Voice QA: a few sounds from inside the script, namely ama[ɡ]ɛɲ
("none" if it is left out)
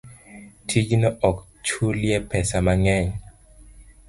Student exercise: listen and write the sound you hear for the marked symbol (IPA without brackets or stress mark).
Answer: ŋ